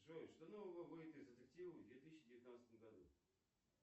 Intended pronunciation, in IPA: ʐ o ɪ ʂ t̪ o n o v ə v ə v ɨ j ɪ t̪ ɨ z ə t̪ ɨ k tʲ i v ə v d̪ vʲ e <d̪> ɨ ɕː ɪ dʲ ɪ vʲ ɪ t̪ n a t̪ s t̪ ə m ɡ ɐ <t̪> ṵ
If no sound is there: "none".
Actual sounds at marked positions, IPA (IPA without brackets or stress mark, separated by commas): t̪, d̪